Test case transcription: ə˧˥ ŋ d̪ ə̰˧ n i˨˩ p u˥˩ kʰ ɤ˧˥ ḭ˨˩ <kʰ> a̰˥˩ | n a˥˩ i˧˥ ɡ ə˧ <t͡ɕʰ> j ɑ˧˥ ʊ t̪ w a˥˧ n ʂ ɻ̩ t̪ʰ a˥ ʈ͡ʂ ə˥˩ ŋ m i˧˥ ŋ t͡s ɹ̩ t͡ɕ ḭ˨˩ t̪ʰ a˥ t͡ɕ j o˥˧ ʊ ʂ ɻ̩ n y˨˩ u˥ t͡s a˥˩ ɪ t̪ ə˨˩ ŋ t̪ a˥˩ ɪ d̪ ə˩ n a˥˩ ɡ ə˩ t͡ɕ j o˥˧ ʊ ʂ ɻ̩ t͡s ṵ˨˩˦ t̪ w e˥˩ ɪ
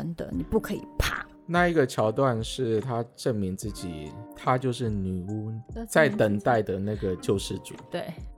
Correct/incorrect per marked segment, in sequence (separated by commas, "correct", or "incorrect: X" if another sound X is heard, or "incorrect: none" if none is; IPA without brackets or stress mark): incorrect: pʰ, correct